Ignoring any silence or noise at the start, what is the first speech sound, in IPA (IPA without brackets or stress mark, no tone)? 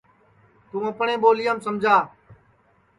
t̪